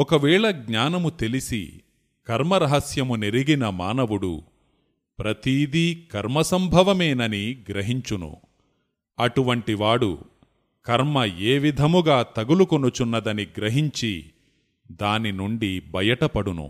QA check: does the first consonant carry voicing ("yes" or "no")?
no